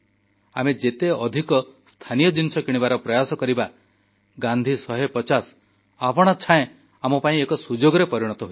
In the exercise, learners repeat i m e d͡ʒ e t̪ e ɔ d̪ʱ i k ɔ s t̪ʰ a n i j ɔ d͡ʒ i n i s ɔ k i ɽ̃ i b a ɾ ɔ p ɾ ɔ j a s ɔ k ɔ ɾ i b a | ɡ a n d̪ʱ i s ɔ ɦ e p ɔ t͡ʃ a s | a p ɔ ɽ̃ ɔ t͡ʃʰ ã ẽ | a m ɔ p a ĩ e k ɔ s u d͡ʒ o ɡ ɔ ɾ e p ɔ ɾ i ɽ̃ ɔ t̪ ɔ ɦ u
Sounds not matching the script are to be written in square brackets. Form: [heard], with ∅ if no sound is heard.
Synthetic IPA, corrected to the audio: [a] m e d͡ʒ e t̪ e ɔ d̪ʱ i k ɔ s t̪ʰ a n i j ɔ d͡ʒ i n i s ɔ k i ɽ̃ i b a ɾ ɔ p ɾ ɔ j a s ɔ k ɔ ɾ i b a | ɡ a n d̪ʱ i s ɔ ɦ e p ɔ t͡ʃ a s | a p ɔ ɽ̃ ɔ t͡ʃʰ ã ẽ | a m ɔ p a ĩ e k ɔ s u d͡ʒ o ɡ ɔ ɾ e p ɔ ɾ i ɽ̃ ɔ t̪ ɔ ɦ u

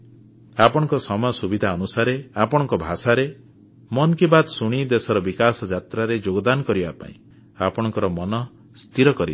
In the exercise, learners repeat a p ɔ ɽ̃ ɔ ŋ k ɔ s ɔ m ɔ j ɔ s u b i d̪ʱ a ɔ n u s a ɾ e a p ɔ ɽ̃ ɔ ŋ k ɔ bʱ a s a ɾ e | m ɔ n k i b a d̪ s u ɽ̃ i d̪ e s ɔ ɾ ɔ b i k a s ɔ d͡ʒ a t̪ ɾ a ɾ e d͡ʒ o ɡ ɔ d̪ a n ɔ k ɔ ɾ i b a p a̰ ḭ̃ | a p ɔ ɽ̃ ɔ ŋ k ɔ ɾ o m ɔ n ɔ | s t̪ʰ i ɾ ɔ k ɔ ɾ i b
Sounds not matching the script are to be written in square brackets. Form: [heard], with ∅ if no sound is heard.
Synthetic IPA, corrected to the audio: a p ɔ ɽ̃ ɔ ŋ k ɔ s ɔ m ɔ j ɔ s u b i d̪ʱ a ɔ n u s a ɾ e a p ɔ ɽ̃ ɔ ŋ k ɔ bʱ a s a ɾ e | m ɔ n k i b a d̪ s u ɽ̃ i d̪ e s ɔ ɾ ɔ b i k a s ɔ d͡ʒ a t̪ ɾ a ɾ e d͡ʒ o ɡ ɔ d̪ a n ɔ k ɔ ɾ i b a p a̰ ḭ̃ | a p ɔ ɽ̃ ɔ ŋ k ɔ ɾ [ɔ] m ɔ n ɔ | s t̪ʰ i ɾ ɔ k ɔ ɾ i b

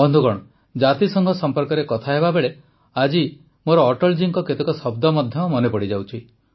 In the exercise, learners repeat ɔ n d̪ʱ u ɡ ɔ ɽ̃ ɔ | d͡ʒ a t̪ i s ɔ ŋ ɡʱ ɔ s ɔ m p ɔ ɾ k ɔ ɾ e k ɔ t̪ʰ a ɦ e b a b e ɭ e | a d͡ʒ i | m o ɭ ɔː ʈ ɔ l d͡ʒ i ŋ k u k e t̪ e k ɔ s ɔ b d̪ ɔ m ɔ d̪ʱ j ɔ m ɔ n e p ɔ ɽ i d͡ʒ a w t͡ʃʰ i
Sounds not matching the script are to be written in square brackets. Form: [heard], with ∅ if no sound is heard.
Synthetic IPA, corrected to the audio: ɔ n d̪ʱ u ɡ ɔ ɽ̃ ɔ | d͡ʒ a t̪ i s ɔ ŋ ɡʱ ɔ s ɔ m p ɔ ɾ k ɔ ɾ e k ɔ t̪ʰ a ɦ e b a b e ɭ e | a d͡ʒ i | m o [ɾ] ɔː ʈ ɔ l d͡ʒ i ŋ k [ɔ] k e t̪ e k ɔ s ɔ b d̪ ɔ m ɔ d̪ʱ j ɔ m ɔ n e p ɔ ɽ i d͡ʒ a w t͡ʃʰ i

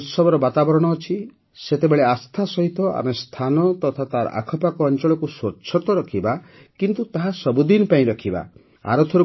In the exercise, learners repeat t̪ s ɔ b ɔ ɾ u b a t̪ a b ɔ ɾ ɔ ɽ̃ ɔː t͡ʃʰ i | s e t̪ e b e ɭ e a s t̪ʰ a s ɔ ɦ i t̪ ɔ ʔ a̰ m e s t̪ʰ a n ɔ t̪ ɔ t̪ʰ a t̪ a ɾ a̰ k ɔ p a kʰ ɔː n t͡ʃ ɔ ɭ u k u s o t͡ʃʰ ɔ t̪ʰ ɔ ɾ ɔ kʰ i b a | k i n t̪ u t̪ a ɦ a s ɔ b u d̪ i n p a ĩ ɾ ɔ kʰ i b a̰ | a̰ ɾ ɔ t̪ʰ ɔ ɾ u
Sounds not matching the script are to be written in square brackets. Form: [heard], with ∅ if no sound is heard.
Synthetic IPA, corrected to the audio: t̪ s ɔ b ɔ ɾ [ɔ] b a t̪ a b ɔ ɾ ɔ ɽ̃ ɔː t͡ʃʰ i | s e t̪ e b e ɭ e a s t̪ʰ a s ɔ ɦ i t̪ ɔ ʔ a̰ m e s t̪ʰ a n ɔ t̪ ɔ t̪ʰ a t̪ a ɾ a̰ [kʰ] ɔ p a [k] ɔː n t͡ʃ ɔ ɭ [ɔ] k u s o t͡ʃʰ ɔ [t̪] ɔ ɾ ɔ kʰ i b a | k i n t̪ u t̪ a ɦ a s ɔ b u d̪ i n p a ĩ ɾ ɔ kʰ i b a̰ | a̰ ɾ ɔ t̪ʰ ɔ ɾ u

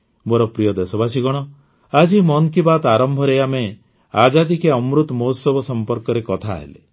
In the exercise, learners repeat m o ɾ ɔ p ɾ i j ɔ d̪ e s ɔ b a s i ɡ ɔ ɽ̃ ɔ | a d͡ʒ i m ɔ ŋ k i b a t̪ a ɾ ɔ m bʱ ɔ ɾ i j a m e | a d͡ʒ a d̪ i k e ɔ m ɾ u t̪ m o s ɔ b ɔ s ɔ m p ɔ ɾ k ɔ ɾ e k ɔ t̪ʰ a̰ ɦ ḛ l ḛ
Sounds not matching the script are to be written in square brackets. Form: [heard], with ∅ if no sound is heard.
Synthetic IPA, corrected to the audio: m o ɾ ɔ p ɾ i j ɔ d̪ e s ɔ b a s i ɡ ɔ ɽ̃ ɔ | a d͡ʒ i m ɔ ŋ k i b a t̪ a ɾ ɔ m bʱ ɔ ɾ [e] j a m e | a d͡ʒ a d̪ i k e ɔ m ɾ u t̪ m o s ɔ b ɔ s ɔ m p ɔ ɾ k ɔ ɾ e k ɔ t̪ʰ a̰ ɦ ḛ l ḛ

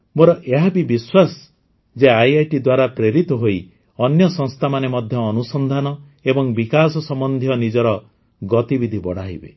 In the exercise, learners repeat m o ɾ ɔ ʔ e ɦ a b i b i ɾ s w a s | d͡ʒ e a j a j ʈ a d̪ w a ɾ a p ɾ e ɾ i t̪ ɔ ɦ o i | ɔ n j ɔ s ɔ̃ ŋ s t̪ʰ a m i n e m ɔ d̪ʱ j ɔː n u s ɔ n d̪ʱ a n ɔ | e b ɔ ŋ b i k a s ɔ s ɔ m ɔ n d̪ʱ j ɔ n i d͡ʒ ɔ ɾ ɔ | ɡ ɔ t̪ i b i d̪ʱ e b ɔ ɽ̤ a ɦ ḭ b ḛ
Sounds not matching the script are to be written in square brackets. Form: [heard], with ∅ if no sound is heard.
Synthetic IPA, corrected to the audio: m o ɾ ɔ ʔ e ɦ a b i b i [∅] s w a s | d͡ʒ e a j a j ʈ [i] d̪ w a ɾ a p ɾ e ɾ i t̪ ɔ ɦ o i | ɔ n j ɔ s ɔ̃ ŋ s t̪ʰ a m [a] n e m ɔ d̪ʱ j ɔː n u s ɔ n d̪ʱ a n ɔ | e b ɔ ŋ b i k a s ɔ s ɔ m ɔ n d̪ʱ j ɔ n i d͡ʒ ɔ ɾ ɔ | ɡ ɔ t̪ i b i d̪ʱ [i] b ɔ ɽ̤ a ɦ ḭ b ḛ

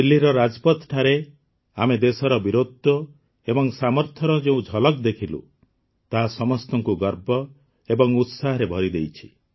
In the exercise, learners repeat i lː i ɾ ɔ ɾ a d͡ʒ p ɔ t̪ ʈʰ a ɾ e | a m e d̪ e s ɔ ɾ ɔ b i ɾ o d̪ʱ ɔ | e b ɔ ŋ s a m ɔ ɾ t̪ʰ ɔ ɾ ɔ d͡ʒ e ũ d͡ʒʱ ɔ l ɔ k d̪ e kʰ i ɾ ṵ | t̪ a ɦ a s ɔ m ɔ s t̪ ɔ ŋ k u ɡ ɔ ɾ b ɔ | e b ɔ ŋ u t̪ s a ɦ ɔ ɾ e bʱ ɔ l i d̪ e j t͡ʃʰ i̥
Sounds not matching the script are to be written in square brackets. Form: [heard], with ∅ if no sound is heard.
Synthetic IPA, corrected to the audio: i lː i ɾ ɔ ɾ a d͡ʒ p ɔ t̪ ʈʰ a ɾ e | a m e d̪ e s ɔ ɾ ɔ b i ɾ o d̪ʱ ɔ | e b ɔ ŋ s a m ɔ ɾ t̪ʰ ɔ ɾ ɔ d͡ʒ e ũ d͡ʒʱ ɔ l ɔ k d̪ e kʰ i [l] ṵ | t̪ a ɦ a s ɔ m ɔ s t̪ ɔ ŋ k u ɡ ɔ ɾ b ɔ | e b ɔ ŋ u t̪ s a ɦ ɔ ɾ e bʱ ɔ [ɾ] i d̪ e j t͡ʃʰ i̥

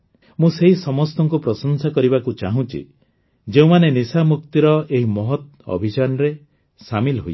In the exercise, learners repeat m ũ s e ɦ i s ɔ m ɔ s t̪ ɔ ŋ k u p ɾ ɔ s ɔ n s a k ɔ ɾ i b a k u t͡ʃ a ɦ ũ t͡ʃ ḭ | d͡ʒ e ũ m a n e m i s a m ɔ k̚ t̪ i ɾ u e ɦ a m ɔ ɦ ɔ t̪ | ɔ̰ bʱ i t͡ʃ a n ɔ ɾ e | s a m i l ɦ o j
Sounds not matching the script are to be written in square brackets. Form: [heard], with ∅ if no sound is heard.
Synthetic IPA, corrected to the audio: m ũ s e ɦ i s ɔ m ɔ s t̪ ɔ ŋ k u p ɾ ɔ s ɔ n s a k ɔ ɾ i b a k u t͡ʃ a ɦ ũ t͡ʃ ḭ | d͡ʒ e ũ m a n e [n] i s a m [u] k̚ t̪ i ɾ [ɔ] e ɦ [i] m ɔ ɦ ɔ t̪ | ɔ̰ bʱ i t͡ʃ a n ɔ ɾ e | s a m i l ɦ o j

